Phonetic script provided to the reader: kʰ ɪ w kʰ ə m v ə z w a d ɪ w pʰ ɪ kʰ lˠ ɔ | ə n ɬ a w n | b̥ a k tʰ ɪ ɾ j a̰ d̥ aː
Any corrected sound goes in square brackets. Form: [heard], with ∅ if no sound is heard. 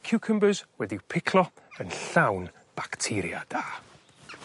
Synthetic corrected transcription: kʰ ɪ w kʰ ə m [b] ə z w [ɛ] d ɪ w pʰ ɪ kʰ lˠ ɔ | ə n ɬ a w n | b̥ a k tʰ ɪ ɾ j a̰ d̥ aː

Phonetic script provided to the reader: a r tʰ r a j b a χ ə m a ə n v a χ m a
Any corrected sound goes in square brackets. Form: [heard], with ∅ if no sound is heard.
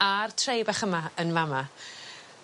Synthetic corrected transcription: a r tʰ r [e] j b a χ ə m a ə n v a [∅] m a

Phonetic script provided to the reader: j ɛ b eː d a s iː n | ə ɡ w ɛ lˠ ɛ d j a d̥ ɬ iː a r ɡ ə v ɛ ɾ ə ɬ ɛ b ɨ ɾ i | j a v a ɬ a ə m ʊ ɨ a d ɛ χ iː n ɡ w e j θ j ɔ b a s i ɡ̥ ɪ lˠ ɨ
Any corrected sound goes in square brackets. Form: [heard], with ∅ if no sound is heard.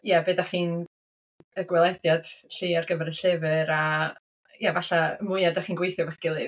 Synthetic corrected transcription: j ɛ b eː d a [χ] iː n | ə ɡ w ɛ lˠ ɛ d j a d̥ ɬ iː a r ɡ ə v ɛ ɾ ə ɬ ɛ [v] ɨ ɾ [a] | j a v a ɬ a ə m ʊ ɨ a d [a] χ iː n ɡ w e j θ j ɔ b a [χ] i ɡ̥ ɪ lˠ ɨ

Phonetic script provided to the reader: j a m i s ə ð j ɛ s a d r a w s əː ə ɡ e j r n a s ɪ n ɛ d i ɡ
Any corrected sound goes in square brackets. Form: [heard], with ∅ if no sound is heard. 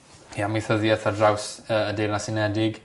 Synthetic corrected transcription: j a m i [θ] ə ð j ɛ [θ] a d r a w s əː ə [d] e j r n a s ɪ n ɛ d [ɪ] ɡ

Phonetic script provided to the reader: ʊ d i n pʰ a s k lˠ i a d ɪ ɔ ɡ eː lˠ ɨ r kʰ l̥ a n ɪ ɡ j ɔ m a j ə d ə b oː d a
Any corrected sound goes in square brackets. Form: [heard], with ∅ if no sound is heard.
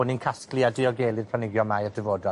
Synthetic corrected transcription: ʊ [n] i n [kʰ] a s k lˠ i a d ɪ ɔ ɡ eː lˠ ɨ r [pʰ] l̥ a n ɪ ɡ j ɔ m a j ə d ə [v] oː d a

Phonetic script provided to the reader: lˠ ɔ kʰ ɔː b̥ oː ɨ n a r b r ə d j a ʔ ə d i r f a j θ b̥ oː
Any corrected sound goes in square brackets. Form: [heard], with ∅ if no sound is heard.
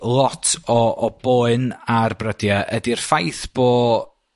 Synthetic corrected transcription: lˠ ɔ [tʰ] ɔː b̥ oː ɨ n a r b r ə d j a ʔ ə d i r f a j θ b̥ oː

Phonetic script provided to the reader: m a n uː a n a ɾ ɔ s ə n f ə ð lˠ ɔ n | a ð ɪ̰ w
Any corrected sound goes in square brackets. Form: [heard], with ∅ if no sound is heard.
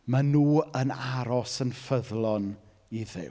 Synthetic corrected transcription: m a n uː [ə] n a ɾ ɔ s ə n f ə ð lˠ ɔ n | [i] ð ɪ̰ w

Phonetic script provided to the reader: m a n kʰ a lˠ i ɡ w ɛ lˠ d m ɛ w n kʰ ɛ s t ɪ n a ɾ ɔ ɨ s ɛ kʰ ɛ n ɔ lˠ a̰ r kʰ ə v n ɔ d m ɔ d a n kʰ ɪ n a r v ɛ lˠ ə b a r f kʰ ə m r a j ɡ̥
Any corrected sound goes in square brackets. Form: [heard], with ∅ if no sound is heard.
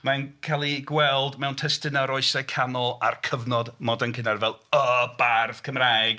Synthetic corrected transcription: m a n kʰ a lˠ i ɡ w ɛ lˠ d m ɛ w n [tʰ] ɛ s t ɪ n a ɾ ɔ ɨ s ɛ kʰ [a] n ɔ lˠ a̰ r kʰ ə v n ɔ d m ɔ d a n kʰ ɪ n a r v ɛ lˠ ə b a r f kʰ ə m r a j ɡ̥

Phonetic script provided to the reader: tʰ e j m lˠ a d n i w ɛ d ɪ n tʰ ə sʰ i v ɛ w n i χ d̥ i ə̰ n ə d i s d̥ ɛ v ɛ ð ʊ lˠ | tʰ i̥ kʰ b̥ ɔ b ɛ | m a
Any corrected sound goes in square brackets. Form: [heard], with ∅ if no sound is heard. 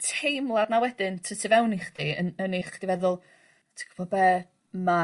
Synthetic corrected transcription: tʰ e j m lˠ a d n [a] w ɛ d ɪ n tʰ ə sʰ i v ɛ w n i χ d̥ i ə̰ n ə [n] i [χ] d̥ [i] v ɛ ð ʊ lˠ | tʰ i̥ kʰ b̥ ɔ b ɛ | m a

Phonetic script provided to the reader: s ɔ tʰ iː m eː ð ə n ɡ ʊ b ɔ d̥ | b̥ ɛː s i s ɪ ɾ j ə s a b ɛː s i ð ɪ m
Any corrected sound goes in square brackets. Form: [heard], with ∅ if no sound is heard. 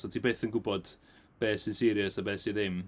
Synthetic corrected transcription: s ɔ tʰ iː [b] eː [θ] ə n ɡ ʊ b ɔ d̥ | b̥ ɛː s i s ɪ ɾ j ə s a b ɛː s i ð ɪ m

